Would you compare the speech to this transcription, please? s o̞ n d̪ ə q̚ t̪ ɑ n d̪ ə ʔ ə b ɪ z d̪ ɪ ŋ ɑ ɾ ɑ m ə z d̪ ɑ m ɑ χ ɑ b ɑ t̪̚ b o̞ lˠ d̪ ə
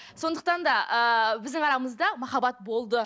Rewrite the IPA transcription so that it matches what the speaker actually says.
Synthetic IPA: s o̞ n d̪ ə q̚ t̪ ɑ n d̪ ɑ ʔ ə b ɪ z d̪ ɪ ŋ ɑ ɾ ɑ m ə z d̪ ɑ m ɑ χ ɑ b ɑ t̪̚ b o̞ lˠ d̪ ə